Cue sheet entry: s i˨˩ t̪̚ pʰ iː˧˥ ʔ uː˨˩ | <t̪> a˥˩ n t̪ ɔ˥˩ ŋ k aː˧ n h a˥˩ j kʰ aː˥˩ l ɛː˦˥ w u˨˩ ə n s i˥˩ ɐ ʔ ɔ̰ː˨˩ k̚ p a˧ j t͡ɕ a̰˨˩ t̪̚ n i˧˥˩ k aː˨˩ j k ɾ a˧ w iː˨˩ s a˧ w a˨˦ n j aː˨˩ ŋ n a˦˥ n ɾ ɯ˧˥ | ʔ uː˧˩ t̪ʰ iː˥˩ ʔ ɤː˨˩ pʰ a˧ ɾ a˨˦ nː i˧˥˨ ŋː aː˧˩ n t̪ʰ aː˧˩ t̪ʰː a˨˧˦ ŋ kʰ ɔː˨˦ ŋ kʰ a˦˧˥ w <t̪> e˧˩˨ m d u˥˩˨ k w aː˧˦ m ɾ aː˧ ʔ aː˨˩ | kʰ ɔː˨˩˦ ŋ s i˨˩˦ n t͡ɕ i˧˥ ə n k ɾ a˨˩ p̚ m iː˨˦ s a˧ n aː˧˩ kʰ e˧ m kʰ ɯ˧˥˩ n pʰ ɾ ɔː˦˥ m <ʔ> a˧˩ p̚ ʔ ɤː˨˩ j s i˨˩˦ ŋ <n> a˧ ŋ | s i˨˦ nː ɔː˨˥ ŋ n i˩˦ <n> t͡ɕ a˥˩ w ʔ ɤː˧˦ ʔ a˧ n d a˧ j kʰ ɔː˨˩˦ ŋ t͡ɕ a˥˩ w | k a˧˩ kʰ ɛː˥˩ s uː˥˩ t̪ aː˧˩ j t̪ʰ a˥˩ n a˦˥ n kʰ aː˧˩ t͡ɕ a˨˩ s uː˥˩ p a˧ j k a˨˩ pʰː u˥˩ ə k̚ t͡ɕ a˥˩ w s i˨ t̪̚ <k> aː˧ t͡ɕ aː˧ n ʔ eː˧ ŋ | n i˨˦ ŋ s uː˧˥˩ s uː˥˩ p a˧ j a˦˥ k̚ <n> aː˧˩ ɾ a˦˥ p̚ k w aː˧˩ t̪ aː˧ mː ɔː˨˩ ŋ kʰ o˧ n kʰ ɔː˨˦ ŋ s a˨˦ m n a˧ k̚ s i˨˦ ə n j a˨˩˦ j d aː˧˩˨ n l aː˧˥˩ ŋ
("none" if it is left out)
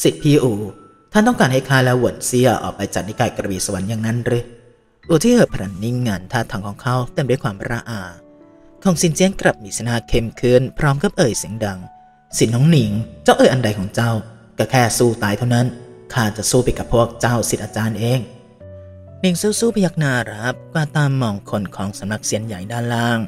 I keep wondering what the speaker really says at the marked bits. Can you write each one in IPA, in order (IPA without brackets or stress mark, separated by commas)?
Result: t̪ʰ, t̪, k, d, ŋ, ʔ, n